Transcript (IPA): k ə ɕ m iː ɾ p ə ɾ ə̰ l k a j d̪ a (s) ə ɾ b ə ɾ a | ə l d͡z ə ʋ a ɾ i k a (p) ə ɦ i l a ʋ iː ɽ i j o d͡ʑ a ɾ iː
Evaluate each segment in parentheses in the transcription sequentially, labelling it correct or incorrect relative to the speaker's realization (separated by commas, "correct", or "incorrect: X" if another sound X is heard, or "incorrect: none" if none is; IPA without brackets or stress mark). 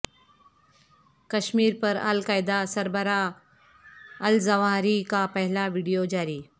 correct, correct